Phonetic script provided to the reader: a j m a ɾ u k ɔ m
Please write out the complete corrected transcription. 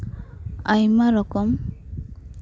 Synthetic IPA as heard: a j m a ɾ ɔ k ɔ m